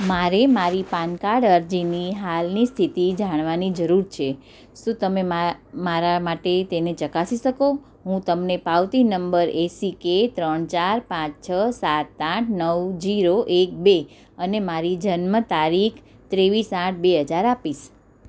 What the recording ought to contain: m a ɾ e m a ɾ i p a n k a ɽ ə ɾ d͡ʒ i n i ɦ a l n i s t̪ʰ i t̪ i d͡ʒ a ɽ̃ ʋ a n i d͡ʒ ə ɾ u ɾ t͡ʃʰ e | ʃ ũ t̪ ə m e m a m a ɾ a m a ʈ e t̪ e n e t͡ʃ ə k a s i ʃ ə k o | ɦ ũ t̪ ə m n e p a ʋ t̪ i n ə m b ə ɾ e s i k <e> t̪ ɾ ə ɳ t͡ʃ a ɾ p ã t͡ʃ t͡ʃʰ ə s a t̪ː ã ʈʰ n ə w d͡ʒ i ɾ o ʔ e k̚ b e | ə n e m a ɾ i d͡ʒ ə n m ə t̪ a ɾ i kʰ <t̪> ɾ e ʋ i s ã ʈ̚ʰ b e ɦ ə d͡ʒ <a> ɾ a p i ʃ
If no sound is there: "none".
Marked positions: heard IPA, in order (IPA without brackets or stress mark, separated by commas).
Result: e, t̪, a